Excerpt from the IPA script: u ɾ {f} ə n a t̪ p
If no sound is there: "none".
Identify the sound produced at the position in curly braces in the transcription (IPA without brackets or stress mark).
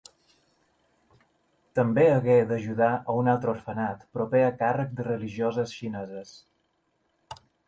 f